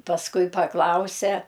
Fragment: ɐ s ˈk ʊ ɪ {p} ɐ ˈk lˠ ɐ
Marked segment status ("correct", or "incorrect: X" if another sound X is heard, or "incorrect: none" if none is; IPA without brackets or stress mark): correct